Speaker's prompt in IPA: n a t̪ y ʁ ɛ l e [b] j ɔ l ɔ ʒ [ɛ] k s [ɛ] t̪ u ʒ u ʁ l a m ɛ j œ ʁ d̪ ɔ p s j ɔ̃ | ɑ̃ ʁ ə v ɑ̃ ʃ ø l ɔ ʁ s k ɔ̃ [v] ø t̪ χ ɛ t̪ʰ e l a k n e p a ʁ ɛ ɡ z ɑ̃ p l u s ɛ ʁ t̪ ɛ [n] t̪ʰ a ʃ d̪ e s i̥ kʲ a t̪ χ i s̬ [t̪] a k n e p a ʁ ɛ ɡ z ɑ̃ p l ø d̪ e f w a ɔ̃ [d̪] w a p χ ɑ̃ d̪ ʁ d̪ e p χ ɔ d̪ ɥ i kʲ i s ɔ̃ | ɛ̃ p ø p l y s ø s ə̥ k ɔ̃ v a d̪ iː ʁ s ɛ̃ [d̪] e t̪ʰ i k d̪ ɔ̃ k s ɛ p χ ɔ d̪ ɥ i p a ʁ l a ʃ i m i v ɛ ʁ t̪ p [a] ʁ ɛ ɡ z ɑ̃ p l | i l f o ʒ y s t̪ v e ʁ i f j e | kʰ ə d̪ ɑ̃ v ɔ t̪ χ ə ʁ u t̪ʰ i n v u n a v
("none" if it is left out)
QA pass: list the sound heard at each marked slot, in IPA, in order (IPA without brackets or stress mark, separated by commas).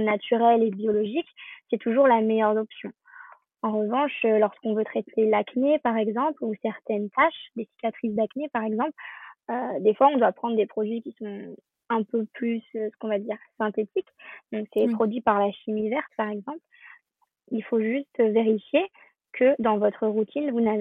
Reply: b, i, ɛ, v, n, d̪, d̪, t̪, a